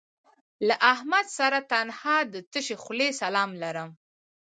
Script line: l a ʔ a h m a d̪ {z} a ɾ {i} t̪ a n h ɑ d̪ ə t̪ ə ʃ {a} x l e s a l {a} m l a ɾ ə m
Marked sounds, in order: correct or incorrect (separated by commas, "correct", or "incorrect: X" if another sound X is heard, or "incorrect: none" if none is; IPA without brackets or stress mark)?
incorrect: s, incorrect: a, incorrect: e, incorrect: ɑ